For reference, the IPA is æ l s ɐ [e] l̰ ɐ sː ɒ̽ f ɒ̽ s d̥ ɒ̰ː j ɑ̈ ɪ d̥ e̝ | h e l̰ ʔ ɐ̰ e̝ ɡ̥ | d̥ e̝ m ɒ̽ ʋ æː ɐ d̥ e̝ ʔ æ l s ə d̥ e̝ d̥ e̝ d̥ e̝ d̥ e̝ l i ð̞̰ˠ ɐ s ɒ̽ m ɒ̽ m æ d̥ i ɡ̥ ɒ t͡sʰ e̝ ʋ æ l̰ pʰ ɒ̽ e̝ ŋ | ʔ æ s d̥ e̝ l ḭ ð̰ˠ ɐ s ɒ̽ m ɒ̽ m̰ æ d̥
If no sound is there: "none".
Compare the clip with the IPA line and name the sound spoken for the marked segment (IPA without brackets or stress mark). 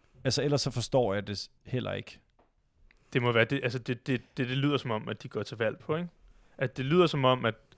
e